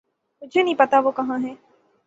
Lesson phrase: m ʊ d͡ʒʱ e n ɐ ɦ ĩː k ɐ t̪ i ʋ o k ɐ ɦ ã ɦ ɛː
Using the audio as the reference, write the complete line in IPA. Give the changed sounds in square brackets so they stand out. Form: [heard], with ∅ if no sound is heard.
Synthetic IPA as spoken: m ʊ d͡ʒʱ e n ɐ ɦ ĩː [p] ɐ t̪ [a] ʋ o k ɐ ɦ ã ɦ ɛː